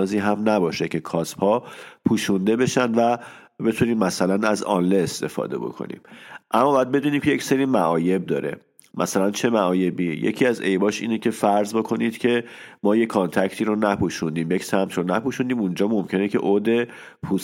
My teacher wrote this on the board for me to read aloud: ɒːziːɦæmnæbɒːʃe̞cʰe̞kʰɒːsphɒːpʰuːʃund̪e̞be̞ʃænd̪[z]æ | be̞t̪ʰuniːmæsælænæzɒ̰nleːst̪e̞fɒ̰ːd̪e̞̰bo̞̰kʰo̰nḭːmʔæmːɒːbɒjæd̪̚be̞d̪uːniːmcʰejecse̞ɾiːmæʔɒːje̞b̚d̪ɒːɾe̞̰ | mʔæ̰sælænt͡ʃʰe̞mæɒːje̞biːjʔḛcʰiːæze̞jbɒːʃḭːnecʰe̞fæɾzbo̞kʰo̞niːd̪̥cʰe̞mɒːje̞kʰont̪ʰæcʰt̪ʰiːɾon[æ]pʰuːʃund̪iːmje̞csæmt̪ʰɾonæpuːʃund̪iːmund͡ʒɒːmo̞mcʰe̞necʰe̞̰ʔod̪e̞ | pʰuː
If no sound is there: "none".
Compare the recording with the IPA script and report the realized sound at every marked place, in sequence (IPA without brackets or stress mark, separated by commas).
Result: v, æ